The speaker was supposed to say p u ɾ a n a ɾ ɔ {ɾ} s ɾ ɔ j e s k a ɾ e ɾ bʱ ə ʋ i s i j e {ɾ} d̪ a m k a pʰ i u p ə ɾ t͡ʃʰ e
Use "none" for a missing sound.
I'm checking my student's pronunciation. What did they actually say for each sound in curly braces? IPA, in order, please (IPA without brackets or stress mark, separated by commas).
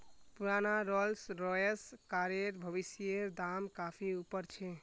l, ɾ